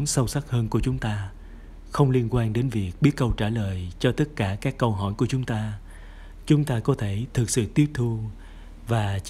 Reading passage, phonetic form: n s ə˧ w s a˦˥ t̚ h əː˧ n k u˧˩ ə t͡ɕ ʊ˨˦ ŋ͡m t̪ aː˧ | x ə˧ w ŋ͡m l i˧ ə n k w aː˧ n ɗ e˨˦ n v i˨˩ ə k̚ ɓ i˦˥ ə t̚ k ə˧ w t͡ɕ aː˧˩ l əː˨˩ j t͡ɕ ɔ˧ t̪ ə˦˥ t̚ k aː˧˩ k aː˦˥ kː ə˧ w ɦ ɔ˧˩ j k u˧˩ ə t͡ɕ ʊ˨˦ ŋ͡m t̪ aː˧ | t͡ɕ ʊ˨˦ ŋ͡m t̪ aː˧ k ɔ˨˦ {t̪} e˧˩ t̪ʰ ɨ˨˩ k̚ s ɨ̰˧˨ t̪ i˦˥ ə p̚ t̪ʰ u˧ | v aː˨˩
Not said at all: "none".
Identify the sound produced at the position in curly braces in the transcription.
t̪ʰ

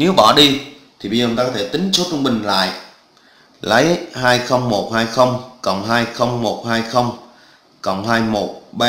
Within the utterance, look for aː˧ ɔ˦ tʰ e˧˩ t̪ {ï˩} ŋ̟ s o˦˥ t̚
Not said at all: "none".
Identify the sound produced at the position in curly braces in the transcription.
ï˨˦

